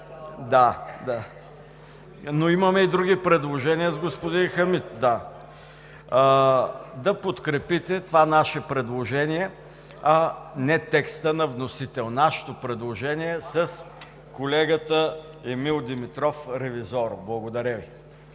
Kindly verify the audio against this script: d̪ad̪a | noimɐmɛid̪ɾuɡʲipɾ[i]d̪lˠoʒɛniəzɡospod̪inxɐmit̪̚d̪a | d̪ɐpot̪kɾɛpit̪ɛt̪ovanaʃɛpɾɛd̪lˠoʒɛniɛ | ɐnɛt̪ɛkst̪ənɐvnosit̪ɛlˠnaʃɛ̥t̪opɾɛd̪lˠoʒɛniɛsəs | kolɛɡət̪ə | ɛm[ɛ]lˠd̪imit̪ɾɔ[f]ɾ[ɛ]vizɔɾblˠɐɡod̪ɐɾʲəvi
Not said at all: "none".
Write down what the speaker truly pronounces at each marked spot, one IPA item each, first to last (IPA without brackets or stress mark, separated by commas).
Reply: ɛ, i, f, ɛ